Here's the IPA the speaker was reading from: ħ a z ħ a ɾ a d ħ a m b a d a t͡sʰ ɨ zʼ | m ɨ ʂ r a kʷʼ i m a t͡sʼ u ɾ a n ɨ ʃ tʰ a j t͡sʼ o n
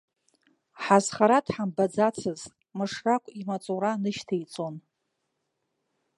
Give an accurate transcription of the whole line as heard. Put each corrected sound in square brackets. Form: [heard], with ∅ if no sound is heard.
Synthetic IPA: ħ a z [χ] a ɾ a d ħ a m b a [d͡z] a t͡sʰ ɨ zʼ | m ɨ ʂ r a kʷʼ i m a t͡sʼ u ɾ a n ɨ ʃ tʰ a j t͡sʼ o n